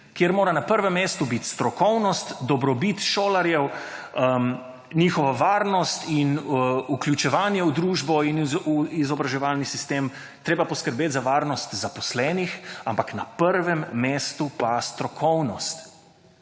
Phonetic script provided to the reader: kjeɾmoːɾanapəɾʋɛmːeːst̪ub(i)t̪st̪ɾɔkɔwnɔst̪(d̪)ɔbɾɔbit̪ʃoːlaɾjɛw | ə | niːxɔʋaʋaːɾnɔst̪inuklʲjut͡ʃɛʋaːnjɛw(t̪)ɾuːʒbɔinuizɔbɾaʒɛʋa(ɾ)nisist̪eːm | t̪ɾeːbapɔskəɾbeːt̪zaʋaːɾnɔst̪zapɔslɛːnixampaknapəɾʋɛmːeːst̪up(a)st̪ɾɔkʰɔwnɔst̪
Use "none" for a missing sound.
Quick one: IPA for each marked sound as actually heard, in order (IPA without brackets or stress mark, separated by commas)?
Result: i, d̪, d̪, l, a